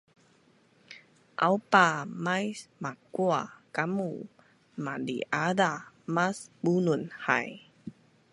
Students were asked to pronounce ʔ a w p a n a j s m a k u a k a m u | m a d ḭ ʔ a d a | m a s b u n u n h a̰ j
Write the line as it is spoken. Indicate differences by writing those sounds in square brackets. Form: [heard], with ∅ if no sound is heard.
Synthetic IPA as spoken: ʔ a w p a [m] a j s m a k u a k a m u | m a d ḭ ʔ a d a | m a s b u n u n h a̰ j